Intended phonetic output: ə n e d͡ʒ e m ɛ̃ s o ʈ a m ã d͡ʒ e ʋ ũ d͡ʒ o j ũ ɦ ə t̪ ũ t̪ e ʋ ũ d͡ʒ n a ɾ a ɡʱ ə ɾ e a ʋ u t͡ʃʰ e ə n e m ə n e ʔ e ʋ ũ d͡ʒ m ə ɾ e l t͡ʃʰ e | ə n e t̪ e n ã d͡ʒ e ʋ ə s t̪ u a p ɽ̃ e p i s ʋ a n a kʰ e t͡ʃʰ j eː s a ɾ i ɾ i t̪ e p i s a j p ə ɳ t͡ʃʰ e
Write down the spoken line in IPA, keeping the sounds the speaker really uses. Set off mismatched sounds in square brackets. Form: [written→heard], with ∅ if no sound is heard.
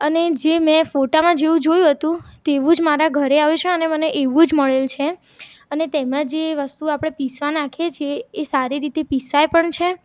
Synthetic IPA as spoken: ə n e d͡ʒ e m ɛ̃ [s→f] o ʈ a m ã d͡ʒ e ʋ ũ d͡ʒ o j ũ ɦ ə t̪ ũ t̪ e ʋ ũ d͡ʒ [n→m] a ɾ a ɡʱ ə ɾ e a ʋ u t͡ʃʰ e ə n e m ə n e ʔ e ʋ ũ d͡ʒ m ə [ɾ→ɭ] e l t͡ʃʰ e | ə n e t̪ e [n→m] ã d͡ʒ e ʋ ə s t̪ u a p ɽ̃ e p i s ʋ a n a kʰ e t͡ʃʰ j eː s a ɾ i ɾ i t̪ e p i s a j p ə ɳ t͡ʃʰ e